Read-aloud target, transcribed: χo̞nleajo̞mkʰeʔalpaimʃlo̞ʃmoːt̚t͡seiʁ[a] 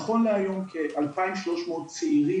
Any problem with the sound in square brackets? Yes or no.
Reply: yes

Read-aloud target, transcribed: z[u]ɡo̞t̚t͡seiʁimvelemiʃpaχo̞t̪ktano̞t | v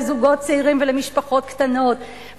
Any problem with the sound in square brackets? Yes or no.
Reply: no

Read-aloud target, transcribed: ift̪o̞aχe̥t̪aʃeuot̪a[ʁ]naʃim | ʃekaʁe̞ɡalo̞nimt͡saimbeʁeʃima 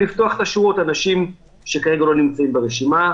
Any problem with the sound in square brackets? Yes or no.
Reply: yes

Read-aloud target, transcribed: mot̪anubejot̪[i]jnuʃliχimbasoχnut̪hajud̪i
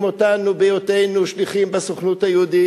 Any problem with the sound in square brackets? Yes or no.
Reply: yes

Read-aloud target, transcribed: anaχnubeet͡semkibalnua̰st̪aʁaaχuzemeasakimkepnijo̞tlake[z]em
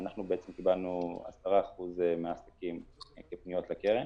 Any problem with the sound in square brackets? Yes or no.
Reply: yes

